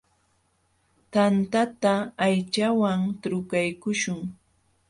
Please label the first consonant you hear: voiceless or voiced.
voiceless